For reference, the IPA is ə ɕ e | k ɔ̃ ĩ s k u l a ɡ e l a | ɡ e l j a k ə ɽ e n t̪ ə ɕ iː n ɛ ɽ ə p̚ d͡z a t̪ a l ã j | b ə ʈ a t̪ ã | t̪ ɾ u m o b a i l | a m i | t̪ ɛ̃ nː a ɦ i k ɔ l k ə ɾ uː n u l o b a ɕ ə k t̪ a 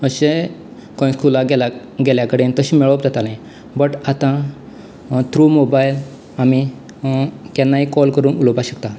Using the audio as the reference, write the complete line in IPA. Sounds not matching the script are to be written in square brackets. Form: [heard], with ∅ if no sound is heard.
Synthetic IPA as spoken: ə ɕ e | k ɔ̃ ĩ s k u l a ɡ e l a | ɡ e l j a k ə ɽ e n t̪ ə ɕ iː [m] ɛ [ɭ] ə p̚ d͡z a t̪ a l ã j | b ə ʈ a t̪ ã | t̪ ɾ u m o b a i l | a m i | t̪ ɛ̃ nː a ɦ i k ɔ l k ə ɾ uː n u l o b a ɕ ə k t̪ a